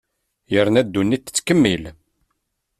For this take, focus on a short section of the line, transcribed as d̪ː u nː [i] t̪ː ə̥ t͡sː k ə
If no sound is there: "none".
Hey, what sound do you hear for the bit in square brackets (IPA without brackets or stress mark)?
i